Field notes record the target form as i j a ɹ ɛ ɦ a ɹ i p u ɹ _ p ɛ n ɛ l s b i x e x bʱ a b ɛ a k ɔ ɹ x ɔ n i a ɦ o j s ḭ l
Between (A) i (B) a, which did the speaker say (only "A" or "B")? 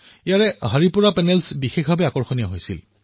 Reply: B